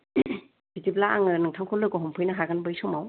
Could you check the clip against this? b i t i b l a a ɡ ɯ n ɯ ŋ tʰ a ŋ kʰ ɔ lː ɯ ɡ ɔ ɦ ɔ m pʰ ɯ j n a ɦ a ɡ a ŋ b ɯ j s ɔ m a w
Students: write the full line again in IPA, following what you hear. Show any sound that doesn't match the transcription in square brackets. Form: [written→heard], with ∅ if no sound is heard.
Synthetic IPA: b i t i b l a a [ɡ→ŋ] ɯ n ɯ ŋ tʰ a ŋ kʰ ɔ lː ɯ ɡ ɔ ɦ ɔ m pʰ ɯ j n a ɦ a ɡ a [ŋ→n] b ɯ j s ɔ m a w